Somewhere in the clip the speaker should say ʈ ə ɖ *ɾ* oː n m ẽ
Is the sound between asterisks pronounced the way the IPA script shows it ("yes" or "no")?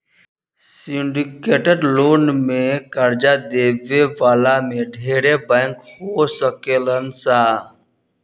no